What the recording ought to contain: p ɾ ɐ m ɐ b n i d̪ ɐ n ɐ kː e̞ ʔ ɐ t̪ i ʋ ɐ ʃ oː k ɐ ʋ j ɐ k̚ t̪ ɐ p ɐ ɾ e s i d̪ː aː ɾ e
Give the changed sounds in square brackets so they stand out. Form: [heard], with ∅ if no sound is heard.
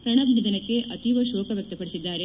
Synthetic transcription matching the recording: p ɾ ɐ [ɳ] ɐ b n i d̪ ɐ n ɐ kː e̞ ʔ ɐ t̪ i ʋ ɐ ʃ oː k ɐ ʋ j ɐ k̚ t̪ ɐ p ɐ [ɽ] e s i d̪ː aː ɾ e